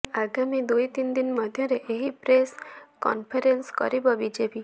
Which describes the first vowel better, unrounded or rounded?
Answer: unrounded